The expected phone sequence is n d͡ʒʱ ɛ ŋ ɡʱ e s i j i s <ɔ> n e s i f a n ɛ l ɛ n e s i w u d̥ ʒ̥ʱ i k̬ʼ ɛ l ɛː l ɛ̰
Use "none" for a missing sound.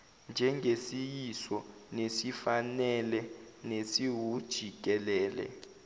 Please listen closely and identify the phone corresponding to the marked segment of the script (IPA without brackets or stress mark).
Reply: ɔ